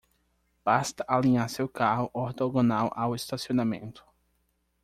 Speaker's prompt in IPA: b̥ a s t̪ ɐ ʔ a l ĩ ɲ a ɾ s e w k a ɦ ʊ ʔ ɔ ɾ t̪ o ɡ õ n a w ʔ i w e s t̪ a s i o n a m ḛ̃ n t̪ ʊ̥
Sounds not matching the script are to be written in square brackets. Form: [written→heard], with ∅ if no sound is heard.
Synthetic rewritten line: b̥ a s t̪ ɐ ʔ a l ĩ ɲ a ɾ s e w k a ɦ ʊ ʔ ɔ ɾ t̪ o ɡ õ n a w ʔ [i→a] w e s t̪ a s i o n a m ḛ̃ n t̪ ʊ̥